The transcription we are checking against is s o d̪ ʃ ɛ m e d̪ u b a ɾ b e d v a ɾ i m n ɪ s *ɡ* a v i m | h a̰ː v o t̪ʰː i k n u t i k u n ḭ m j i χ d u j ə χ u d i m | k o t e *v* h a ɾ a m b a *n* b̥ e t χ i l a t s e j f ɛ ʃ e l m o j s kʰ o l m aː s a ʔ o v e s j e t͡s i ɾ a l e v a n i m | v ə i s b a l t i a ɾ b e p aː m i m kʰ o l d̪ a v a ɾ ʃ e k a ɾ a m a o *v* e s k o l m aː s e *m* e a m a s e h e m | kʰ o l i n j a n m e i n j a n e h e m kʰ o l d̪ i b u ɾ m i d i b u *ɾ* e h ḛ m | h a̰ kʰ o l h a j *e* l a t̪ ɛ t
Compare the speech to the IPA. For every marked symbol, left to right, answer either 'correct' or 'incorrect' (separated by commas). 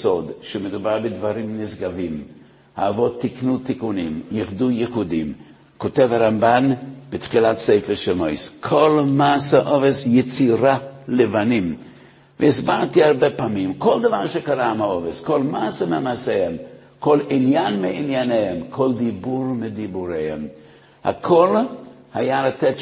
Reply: correct, correct, correct, correct, correct, correct, incorrect